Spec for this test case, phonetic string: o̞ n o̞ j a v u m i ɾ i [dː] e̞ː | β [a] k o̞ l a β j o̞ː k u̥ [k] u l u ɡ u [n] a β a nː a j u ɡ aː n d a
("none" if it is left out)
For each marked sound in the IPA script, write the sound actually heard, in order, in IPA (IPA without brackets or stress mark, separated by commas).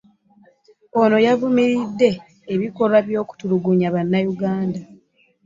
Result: dː, i, t, ɲ